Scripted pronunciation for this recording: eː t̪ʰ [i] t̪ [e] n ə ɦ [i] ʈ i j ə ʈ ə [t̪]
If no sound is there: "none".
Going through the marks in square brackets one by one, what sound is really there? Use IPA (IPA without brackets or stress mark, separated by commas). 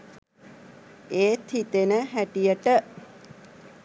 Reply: i, e, æ, none